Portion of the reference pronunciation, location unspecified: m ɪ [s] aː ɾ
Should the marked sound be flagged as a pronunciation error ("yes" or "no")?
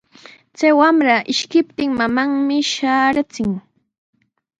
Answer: yes